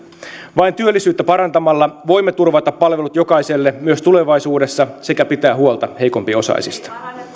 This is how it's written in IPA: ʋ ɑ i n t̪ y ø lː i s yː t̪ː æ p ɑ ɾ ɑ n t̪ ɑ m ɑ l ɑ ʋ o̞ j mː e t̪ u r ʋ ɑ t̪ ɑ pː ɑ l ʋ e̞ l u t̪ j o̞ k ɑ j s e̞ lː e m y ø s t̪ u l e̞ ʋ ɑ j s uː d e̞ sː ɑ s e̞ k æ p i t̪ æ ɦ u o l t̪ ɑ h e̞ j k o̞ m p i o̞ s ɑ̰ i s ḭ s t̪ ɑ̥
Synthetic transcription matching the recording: ʋ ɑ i n t̪ y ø lː i s yː t̪ː æ p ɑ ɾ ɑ n t̪ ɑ m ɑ lː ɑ ʋ o̞ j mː e t̪ u r ʋ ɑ t̪ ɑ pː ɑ l ʋ e̞ l u t̪ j o̞ k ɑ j s e̞ lː e m y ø s t̪ u l e̞ ʋ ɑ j s uː d e̞ sː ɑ s e̞ k æ p i t̪ æː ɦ u o l t̪ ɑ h e̞ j k o̞ m p i o̞ s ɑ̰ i s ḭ s t̪ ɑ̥

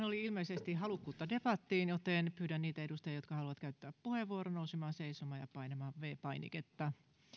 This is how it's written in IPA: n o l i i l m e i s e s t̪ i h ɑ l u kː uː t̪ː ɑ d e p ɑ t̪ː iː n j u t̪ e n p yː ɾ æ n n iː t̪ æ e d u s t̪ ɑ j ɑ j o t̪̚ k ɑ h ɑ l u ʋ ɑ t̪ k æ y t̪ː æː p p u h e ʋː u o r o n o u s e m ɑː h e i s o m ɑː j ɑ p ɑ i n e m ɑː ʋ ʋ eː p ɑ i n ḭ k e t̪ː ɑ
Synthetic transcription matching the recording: n o l i i l m e i s e s t̪ i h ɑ l u kː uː t̪ː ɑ d e p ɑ t̪ː iː n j o t̪ e n p yː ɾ æ n n iː t̪ æ e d u s t̪ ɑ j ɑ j o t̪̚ k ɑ h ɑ l u ʋ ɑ t̪ k æ y t̪ː æː p p u h e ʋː u o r o n o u s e m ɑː s e i s o m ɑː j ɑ p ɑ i n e m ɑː ʋ ʋ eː p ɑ i n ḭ k e t̪ː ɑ

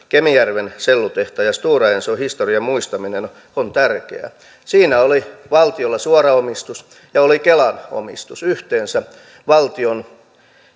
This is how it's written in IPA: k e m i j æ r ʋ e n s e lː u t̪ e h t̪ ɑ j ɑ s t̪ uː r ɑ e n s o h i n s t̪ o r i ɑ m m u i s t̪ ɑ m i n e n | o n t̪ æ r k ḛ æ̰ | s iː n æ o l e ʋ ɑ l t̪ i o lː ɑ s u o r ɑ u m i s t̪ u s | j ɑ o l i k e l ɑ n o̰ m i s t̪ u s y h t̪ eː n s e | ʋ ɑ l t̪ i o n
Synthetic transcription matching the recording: k e m i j æ r ʋ e n s e lː u t̪ e h t̪ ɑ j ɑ s t̪ uː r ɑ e n s o h i s t̪ o r i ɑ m m u i s t̪ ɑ m i n e n | o n t̪ æ r k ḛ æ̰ | s iː n æ o l i ʋ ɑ l t̪ i o lː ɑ s u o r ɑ o m i s t̪ u s | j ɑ o l i k e l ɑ n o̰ m i s t̪ u s y h t̪ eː n s æ | ʋ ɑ l t̪ i o n

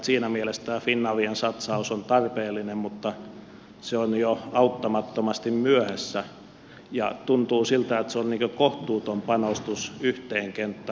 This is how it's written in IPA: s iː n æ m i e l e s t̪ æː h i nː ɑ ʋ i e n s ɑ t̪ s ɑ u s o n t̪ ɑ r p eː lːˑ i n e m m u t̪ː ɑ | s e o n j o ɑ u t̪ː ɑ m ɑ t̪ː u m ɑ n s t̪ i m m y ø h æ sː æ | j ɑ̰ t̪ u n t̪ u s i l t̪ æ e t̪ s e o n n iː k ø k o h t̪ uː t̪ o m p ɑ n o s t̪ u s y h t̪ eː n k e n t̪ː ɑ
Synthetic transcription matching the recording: s iː n æ m i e l e s t̪ æː f i nː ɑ ʋ i e n s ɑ t̪ s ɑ u s o n t̪ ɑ r p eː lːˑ i n e m m u t̪ː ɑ | s e o n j o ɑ u t̪ː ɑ m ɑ t̪ː o m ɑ s t̪ i m m y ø h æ sː æ | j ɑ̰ t̪ u n t̪ uː s i l t̪ æ e t̪ s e o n n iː k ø k o h t̪ uː t̪ o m p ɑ n o s t̪ u s y h t̪ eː ŋ k e n t̪ː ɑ

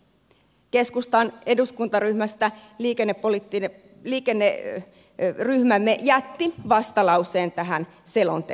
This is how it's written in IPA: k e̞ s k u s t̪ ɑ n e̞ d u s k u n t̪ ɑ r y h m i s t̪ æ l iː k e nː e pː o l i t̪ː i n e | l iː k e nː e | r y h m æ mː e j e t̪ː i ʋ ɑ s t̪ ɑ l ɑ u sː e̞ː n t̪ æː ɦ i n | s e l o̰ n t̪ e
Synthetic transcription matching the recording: k e̞ s k u s t̪ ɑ n e̞ d u s k u n t̪ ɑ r y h m æ s t̪ æ l iː k e nː e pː o l i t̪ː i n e | l iː k e nː e | r y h m æ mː e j æ t̪ː i ʋ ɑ s t̪ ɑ l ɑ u s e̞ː n t̪ æ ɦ æ n | s e l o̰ n t̪ e

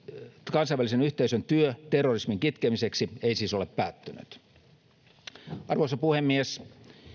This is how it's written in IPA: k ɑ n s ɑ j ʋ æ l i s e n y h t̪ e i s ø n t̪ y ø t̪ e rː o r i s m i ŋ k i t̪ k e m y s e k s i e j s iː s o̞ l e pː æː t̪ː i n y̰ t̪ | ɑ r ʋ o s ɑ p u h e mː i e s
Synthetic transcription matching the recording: k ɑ n s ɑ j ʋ æ l i s e n y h t̪ e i s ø n t̪ y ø t̪ e rː o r i s m i ŋ k i t̪ k e m i s e k s i e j s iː s o̞ l e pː æː t̪ː y n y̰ t̪ | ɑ r ʋ o s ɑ p u h e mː i e s

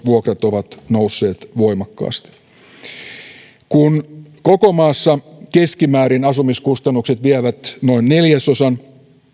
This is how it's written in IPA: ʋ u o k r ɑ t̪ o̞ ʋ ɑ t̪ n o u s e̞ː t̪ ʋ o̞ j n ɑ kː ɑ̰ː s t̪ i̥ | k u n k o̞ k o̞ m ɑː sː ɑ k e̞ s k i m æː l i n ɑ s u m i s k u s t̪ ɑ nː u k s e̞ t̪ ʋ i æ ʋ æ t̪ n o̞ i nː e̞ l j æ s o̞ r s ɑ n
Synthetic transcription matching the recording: ʋ u o k r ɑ t̪ o̞ ʋ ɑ t̪ n o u sː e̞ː t̪ ʋ o̞ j m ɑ kː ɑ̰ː s t̪ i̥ | k u n k o̞ k o̞ m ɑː sː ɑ k e̞ s k i m æː ɾ i n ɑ s u m i s k u s t̪ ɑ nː u k s e̞ t̪ ʋ i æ ʋ æ t̪ n o̞ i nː e̞ l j æ s o̞ s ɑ n

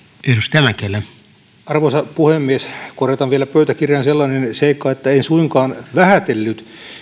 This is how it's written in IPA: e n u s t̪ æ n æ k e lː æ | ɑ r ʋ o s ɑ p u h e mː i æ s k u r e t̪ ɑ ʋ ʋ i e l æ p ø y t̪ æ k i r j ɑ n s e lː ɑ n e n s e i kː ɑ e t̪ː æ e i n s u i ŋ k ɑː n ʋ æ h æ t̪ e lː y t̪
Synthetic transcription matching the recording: e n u s t̪ æ m æ k e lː æ | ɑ r ʋ o s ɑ p u h e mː i e s k o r e t̪ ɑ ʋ ʋ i e l æ p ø y t̪ æ k i r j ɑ n s e lː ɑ n e n s e i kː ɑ e t̪ː æ e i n s u i ŋ k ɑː n ʋ æ h æ t̪ e lː y t̪

